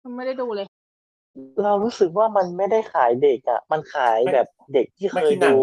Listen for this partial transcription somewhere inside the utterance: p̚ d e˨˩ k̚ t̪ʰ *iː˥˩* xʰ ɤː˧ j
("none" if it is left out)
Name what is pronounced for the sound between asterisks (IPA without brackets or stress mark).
iː˥˩